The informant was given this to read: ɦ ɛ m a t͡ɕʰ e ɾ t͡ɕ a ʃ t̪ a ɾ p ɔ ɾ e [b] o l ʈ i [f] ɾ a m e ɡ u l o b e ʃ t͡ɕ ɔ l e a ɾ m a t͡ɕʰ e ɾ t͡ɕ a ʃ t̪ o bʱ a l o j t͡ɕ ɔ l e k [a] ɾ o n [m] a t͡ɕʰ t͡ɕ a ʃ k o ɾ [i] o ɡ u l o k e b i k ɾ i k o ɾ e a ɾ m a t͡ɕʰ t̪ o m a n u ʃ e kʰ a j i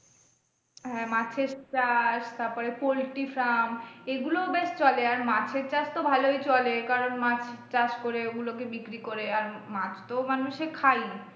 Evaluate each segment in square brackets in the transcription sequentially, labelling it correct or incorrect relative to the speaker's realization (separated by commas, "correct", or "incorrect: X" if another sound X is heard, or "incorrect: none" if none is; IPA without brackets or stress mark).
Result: incorrect: p, correct, correct, correct, incorrect: e